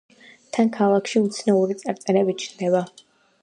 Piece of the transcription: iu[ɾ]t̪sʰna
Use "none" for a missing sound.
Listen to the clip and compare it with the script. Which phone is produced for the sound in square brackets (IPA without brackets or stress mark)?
none